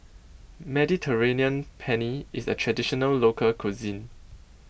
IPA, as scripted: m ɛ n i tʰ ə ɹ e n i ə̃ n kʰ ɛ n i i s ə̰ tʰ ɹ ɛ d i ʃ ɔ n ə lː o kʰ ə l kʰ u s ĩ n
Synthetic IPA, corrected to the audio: m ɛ d i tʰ ə ɹ e n i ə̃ n pʰ ɛ n i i s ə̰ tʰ ɹ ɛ d i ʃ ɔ n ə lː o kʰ ə l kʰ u z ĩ n